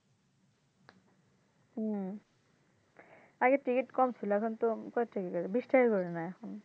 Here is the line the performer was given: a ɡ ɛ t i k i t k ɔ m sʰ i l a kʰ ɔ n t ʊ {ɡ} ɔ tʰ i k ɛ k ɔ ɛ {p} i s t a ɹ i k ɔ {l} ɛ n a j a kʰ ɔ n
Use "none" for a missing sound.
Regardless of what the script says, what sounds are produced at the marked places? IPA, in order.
k, b, ɹ

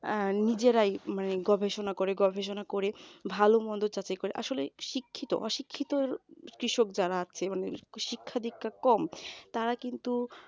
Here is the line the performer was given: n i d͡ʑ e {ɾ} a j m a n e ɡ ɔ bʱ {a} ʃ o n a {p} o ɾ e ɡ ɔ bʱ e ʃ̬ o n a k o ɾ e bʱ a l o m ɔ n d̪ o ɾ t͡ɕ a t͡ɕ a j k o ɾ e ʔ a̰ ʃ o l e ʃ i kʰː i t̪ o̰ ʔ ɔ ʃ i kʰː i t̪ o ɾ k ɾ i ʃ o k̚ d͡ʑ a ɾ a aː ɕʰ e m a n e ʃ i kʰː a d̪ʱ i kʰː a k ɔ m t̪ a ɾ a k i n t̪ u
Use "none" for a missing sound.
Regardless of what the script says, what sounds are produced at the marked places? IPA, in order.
ɾ, e, k

